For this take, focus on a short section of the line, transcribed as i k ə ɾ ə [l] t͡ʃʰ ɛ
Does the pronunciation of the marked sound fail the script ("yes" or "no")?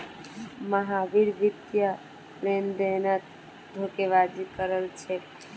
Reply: no